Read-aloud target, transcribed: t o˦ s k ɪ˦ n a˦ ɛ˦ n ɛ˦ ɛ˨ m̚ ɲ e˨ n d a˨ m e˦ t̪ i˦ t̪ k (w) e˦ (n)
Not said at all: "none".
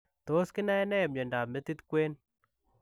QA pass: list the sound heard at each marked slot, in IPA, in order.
w, n

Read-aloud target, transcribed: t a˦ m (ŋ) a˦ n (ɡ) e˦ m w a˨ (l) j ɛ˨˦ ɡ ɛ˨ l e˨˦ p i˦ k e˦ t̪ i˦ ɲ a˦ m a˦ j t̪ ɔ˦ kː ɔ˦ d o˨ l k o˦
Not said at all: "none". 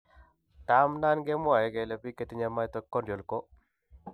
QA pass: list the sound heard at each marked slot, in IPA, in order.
n, ɡ, none

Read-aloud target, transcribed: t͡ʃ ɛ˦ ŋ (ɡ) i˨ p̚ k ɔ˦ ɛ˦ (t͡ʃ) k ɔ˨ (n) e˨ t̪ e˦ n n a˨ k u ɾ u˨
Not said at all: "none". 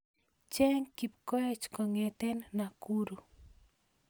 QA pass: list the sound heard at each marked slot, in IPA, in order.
k, t͡ʃ, ŋ

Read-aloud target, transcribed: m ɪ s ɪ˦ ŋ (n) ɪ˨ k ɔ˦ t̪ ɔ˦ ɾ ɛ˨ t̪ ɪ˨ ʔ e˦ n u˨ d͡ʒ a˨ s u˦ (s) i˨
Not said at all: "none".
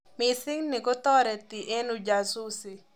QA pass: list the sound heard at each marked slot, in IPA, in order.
n, s

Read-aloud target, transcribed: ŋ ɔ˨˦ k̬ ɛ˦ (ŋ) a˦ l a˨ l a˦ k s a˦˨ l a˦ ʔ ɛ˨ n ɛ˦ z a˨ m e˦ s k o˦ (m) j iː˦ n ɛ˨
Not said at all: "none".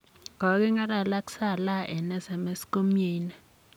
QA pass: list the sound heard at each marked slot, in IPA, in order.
ŋ, m

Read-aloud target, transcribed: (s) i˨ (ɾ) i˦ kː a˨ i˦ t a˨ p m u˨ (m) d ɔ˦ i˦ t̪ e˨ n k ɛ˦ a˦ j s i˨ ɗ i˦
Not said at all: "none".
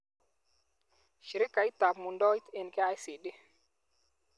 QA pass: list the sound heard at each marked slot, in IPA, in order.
ʃ, ɾ, n

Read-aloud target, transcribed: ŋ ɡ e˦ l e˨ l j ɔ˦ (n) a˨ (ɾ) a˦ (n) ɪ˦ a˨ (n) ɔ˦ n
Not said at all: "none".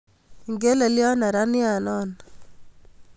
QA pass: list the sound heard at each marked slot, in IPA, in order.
n, ɾ, n, n

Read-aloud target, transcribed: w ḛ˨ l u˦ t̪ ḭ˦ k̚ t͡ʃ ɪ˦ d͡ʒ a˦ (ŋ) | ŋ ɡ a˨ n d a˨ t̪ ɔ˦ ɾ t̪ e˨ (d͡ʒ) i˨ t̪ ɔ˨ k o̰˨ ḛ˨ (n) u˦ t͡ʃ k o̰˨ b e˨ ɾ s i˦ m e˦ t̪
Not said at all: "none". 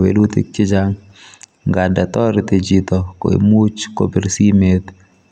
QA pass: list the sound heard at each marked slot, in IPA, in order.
ŋ, d͡ʒ, m

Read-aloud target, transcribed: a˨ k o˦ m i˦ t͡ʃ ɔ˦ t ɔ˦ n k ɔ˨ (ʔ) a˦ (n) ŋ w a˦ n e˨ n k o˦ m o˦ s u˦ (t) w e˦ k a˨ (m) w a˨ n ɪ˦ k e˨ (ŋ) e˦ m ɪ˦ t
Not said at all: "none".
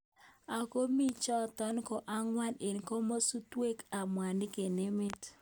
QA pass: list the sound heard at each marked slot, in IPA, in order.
ʔ, none, t, m, n

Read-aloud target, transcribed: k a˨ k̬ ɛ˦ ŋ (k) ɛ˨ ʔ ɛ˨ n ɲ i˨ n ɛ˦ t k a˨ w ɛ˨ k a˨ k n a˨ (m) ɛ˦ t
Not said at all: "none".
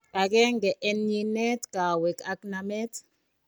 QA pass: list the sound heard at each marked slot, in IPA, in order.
ɡ, m

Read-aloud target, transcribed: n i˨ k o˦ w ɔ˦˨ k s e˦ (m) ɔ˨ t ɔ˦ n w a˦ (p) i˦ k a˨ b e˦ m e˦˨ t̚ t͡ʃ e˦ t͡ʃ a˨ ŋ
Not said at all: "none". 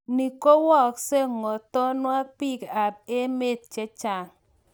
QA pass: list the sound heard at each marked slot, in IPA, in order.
ŋ, p

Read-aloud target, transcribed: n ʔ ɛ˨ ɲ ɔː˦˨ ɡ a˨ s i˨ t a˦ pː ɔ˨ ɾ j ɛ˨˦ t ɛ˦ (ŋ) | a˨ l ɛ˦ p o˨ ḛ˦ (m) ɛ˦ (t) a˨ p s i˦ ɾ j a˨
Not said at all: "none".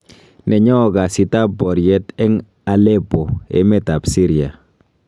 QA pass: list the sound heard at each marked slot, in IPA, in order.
ŋ, m, t

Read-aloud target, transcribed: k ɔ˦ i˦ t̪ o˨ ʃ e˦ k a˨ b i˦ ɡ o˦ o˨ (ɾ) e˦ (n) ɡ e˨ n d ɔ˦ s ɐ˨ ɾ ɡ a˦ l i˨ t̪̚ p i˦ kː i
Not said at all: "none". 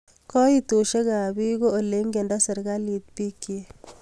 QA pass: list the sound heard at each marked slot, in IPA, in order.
l, ŋ

